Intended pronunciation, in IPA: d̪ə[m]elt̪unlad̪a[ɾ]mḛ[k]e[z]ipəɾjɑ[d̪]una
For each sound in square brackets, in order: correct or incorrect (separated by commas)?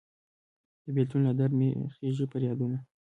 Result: incorrect, correct, incorrect, incorrect, correct